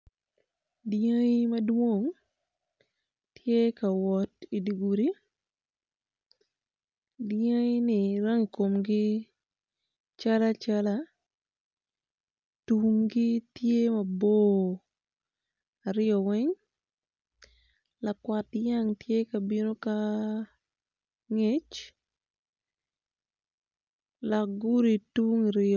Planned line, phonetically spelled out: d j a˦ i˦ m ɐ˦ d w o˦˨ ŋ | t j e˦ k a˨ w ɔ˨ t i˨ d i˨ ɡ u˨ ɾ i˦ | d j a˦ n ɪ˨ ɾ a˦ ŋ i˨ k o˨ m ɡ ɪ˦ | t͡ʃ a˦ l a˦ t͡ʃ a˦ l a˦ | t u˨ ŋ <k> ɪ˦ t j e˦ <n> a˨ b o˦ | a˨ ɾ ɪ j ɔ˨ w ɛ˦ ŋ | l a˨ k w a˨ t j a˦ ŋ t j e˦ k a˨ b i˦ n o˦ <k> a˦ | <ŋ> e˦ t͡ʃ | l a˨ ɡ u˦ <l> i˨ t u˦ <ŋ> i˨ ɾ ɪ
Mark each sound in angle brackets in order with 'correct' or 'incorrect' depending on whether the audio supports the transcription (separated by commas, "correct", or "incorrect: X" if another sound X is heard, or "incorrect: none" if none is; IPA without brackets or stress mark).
incorrect: ɡ, incorrect: m, correct, correct, incorrect: ɾ, correct